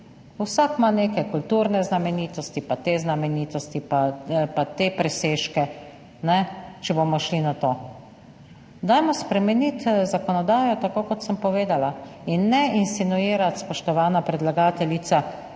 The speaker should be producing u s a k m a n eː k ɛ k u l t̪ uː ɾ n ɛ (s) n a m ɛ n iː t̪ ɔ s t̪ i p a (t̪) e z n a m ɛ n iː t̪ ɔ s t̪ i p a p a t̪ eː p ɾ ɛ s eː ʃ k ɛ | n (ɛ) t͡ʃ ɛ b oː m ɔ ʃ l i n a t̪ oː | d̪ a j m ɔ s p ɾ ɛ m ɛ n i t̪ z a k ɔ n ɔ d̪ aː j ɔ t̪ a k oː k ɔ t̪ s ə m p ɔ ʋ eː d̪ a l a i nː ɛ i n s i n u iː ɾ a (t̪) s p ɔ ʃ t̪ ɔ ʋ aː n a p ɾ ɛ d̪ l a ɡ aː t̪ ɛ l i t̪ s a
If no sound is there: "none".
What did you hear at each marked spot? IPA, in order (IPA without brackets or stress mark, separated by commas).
z, t̪, ɛ, t̪